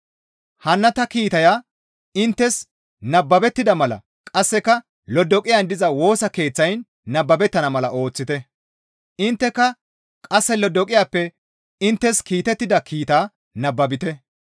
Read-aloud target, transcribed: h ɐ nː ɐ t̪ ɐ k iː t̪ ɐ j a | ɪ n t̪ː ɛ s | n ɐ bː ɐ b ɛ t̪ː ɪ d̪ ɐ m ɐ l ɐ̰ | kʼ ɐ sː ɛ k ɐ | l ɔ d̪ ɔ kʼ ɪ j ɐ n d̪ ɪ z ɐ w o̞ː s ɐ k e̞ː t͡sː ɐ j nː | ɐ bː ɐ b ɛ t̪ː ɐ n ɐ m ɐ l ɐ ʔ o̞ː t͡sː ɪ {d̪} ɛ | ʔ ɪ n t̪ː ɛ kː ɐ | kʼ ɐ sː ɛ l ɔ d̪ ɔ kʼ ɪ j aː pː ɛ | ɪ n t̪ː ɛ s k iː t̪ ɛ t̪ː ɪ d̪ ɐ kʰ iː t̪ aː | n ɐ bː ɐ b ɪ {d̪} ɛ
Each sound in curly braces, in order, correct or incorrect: incorrect: t̪, incorrect: t̪

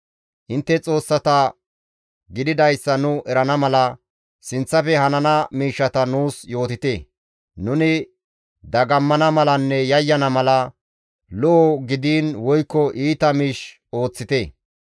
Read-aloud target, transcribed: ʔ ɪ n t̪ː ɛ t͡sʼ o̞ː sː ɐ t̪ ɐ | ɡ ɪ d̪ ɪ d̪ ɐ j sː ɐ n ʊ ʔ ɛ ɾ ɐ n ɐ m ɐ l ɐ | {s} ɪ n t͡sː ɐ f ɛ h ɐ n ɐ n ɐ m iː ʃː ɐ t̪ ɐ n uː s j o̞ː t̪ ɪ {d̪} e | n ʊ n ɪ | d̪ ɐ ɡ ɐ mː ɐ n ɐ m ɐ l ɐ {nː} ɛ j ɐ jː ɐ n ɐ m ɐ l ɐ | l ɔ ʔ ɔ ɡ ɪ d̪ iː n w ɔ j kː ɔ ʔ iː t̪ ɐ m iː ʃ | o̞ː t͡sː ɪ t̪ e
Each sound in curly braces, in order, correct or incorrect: correct, incorrect: t̪, correct

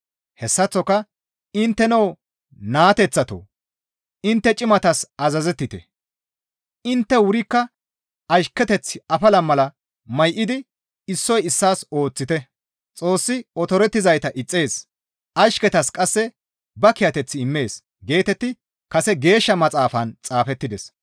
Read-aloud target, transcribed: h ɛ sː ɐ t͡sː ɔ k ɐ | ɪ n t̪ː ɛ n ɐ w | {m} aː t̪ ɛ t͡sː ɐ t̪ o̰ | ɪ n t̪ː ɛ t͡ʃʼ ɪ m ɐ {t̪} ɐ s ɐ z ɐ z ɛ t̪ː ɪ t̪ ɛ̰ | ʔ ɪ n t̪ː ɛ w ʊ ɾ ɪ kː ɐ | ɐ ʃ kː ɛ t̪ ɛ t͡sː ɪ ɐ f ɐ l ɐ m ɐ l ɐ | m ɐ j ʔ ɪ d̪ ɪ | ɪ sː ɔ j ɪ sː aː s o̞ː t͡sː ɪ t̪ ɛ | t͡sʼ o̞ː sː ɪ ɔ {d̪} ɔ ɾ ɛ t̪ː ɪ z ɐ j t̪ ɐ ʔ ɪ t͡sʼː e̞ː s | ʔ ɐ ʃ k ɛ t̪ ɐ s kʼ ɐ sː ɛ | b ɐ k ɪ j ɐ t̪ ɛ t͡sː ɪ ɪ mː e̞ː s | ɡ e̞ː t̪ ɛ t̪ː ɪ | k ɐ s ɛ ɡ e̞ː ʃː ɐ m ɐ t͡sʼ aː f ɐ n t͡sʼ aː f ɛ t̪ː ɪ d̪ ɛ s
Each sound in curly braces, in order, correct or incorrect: incorrect: n, correct, incorrect: t̪

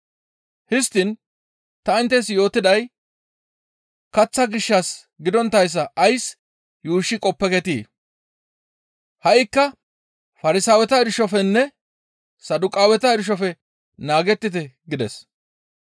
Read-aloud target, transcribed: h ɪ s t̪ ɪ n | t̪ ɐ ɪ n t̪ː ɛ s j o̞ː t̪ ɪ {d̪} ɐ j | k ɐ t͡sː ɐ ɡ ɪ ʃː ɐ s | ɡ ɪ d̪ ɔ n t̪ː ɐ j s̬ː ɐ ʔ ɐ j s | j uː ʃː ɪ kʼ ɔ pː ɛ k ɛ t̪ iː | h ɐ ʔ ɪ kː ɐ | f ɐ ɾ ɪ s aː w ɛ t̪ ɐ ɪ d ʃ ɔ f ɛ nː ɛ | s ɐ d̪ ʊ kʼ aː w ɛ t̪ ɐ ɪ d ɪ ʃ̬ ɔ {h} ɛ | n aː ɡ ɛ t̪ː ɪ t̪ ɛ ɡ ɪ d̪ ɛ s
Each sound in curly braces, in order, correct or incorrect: correct, incorrect: f

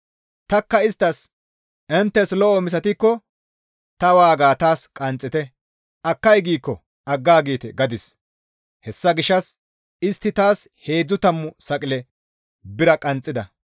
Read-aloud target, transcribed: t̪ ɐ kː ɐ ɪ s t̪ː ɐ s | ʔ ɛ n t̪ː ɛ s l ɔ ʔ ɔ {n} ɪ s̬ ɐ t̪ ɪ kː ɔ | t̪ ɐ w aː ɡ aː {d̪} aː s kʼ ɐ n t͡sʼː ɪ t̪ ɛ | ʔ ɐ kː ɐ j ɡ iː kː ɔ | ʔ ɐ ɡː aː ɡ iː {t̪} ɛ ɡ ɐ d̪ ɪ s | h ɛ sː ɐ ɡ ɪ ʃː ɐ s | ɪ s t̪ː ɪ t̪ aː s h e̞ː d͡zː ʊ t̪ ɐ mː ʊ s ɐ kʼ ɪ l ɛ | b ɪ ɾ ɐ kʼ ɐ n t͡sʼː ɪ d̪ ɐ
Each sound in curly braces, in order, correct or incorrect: incorrect: m, incorrect: t̪, correct

